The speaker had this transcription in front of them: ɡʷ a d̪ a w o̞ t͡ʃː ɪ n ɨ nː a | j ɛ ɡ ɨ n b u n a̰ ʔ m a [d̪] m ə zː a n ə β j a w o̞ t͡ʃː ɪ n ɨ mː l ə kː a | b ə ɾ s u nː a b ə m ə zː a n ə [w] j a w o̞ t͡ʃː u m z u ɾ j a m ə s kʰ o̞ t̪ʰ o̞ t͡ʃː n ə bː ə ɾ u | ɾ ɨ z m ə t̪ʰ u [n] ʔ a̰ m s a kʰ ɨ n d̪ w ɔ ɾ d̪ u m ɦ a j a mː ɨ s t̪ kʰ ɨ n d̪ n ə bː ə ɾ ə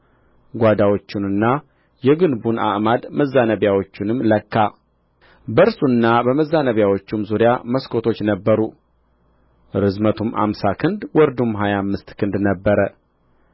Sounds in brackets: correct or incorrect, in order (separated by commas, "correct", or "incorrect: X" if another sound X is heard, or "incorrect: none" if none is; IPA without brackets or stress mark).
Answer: correct, incorrect: β, incorrect: m